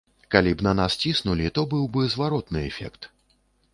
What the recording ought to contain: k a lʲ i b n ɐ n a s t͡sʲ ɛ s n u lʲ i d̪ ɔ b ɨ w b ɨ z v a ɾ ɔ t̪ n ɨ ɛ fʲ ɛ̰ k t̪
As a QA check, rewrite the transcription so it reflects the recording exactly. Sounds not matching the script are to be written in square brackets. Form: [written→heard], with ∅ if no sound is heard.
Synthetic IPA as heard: k a lʲ i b n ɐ n a s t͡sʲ [ɛ→i] s n u lʲ i [d̪→t̪] ɔ b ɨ w b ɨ z v a ɾ ɔ t̪ n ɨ ɛ fʲ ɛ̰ k t̪